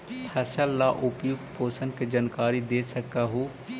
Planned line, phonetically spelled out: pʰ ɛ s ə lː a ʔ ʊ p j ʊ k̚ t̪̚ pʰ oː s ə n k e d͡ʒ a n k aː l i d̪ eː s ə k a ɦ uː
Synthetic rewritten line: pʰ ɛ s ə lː a ʔ ʊ p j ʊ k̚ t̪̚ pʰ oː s ə n k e d͡ʒ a n k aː ɾ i d̪ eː s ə k a ɦ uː

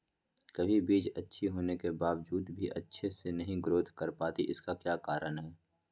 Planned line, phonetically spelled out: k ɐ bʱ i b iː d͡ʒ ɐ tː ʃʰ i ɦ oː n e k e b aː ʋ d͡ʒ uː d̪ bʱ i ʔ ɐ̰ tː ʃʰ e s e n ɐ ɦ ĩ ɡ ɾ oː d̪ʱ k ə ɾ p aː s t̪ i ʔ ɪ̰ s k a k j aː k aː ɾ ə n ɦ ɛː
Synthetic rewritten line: k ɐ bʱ i b iː d͡ʒ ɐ tː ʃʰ i ɦ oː n e k e b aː ʋ d͡ʒ uː d̪ bʱ i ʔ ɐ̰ tː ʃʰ e s e n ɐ ɦ ĩ ɡ ɾ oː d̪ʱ k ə ɾ p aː t̪ i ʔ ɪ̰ s k a k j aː k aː ɾ ə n ɦ ɛː

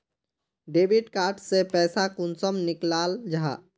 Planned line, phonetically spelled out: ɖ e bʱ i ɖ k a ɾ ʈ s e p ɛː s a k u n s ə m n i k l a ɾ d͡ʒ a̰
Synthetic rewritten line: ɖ e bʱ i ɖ k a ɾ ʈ s e p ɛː s a k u n s ə m n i k l a l d͡ʒ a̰

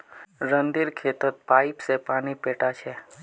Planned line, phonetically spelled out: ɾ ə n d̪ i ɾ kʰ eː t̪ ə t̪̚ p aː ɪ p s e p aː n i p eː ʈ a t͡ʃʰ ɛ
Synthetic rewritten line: ɾ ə n d̪ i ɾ kʰ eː t̪ ə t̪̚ p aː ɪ p s e p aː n i p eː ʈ a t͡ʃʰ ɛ

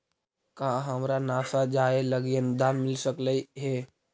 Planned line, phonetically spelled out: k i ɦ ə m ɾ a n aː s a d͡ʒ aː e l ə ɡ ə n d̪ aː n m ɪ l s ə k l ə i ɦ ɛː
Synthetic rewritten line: k a ɦ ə m ɾ a n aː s a d͡ʒ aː e l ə ɡ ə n d̪ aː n m ɪ l s ə k l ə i ɦ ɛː

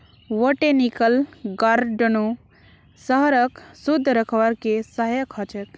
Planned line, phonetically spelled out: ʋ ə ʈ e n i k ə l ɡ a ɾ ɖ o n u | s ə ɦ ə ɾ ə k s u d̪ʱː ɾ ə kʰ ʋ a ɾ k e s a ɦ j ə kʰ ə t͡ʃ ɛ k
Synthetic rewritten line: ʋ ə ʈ e n i k ə l ɡ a ɾ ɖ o n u | s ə ɦ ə ɾ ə k s u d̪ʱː ɾ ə kʰ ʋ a ɾ k e s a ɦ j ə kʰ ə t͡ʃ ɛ k

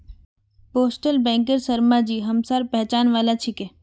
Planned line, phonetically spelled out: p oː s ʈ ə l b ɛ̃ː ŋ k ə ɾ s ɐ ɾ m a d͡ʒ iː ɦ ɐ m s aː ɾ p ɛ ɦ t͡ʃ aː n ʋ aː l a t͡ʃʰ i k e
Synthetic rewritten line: p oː s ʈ ə l b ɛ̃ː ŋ k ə ɾ s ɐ ɾ m a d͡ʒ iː ɦ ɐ m s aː ɾ p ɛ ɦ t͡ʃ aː n ʋ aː l a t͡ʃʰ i k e

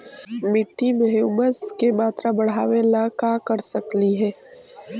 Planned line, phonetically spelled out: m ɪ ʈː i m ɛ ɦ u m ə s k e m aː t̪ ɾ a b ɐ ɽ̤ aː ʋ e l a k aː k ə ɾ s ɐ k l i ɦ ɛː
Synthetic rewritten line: m ɪ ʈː i m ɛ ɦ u m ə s k e m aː t̪ ɾ a b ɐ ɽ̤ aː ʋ e l a k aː k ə ɾ s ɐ k l i ɦ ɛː

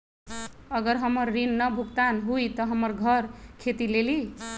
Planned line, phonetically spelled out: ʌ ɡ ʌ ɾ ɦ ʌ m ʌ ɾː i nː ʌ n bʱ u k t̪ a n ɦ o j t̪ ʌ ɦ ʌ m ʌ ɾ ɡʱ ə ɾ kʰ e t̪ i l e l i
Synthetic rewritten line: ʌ ɡ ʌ ɾ ɦ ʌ m ʌ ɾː i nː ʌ bʱ u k t̪ a n ɦ u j t̪ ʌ ɦ ʌ m ʌ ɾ ɡʱ ʌ ɾ kʰ e t̪ i l e l i

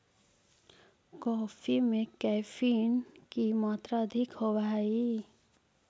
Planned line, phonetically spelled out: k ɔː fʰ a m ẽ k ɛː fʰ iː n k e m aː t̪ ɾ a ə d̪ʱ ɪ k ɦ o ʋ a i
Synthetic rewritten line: k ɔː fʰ i m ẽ k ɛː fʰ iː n k i m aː t̪ ɾ a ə d̪ʱ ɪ k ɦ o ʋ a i

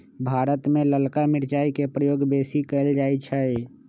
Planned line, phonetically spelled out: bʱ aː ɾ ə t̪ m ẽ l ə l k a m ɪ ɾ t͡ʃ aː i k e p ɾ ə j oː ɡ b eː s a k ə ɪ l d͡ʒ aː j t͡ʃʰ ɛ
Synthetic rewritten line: bʱ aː ɾ ə t̪ m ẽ l ə l k a m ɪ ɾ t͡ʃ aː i k e p ɾ ə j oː ɡ b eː s i k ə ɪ l d͡ʒ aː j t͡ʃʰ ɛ

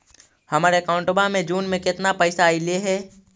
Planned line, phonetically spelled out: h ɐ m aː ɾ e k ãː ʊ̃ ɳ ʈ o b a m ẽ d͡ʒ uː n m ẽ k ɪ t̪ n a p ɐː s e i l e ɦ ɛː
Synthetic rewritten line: h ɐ m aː ɾ e k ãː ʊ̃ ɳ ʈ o b a m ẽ d͡ʒ uː n m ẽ k ɪ t̪ n a p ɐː s a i l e ɦ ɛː

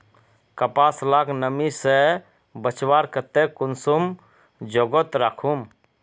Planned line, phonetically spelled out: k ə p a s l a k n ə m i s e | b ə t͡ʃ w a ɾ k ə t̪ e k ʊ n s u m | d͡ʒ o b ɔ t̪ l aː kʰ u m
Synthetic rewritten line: k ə p a s l a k n ə m i s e | b ə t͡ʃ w a ɾ k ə t̪ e k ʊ n s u m | d͡ʒ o ɡ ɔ t̪ ɾ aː kʰ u m

